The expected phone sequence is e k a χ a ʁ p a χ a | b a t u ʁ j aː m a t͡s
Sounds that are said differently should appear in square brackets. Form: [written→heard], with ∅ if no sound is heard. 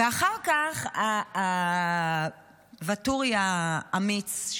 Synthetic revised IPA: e [k→∅] a χ a ʁ [p→k] a χ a | [b→v] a t u ʁ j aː m [a→i] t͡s

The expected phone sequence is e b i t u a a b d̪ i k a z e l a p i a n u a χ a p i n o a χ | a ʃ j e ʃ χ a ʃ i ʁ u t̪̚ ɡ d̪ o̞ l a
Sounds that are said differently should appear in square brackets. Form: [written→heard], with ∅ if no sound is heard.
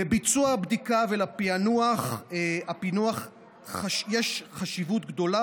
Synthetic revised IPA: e b i [t→t͡s] u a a b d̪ i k a [z→v] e l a p i a n u a χ a p i n [o→u] a χ | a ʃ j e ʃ χ a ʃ i [ʁ→v] u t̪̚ ɡ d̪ o̞ l a

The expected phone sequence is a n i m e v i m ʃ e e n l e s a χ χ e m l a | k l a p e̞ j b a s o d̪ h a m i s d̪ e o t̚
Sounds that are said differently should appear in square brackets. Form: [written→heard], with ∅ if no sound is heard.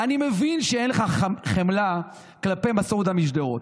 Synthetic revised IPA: a n i m e v i [m→n] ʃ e e n l e [s→χ] a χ χ e m l a | k l a p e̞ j [b→m] a s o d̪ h a m i [s→ʃ] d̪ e o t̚

